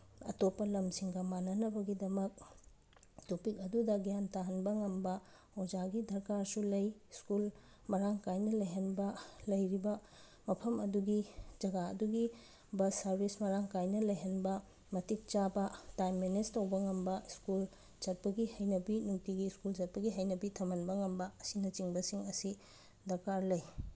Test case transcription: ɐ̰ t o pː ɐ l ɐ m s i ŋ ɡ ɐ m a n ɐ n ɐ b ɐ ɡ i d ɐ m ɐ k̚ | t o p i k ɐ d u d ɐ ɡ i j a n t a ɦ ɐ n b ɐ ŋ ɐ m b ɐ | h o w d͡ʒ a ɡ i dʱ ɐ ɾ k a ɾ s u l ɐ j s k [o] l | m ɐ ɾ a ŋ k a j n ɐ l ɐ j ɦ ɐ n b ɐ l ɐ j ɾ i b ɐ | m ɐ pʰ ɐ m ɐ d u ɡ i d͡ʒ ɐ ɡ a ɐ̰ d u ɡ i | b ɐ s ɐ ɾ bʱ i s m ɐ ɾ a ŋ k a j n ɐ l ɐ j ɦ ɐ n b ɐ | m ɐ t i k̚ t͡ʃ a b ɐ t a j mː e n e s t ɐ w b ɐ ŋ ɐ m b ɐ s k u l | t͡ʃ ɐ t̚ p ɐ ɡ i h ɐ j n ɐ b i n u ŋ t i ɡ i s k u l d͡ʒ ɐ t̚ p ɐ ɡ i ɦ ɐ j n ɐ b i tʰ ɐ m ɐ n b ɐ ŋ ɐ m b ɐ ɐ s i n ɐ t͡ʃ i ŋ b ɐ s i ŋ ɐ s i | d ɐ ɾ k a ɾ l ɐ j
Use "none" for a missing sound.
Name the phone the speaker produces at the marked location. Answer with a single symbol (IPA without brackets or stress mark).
u